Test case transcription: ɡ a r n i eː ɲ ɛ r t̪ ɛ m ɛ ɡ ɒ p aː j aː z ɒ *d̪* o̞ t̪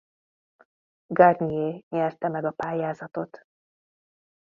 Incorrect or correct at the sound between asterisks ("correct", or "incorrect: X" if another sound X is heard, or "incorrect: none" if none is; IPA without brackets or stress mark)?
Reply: incorrect: t̪